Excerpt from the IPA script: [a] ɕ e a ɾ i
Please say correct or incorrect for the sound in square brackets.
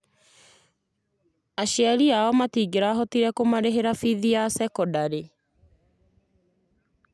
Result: correct